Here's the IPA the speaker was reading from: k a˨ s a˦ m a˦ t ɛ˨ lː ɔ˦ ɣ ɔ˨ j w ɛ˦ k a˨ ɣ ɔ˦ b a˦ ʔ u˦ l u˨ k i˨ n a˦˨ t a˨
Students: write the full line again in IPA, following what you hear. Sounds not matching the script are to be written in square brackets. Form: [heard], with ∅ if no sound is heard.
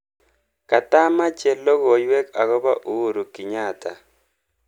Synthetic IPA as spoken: k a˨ [t] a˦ m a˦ [t͡ʃ] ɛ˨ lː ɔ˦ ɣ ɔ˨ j w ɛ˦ k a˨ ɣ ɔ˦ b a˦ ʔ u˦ [ɾ] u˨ k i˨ [ɲ] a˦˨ t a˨